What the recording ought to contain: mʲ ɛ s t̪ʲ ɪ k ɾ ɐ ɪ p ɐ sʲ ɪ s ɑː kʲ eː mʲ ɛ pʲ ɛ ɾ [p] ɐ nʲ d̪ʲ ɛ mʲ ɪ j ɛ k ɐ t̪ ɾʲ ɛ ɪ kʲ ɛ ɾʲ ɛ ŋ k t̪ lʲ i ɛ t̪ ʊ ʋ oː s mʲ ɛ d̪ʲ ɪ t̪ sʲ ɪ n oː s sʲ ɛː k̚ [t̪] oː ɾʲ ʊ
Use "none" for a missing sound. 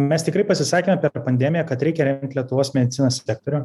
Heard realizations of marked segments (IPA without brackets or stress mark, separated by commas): p, t̪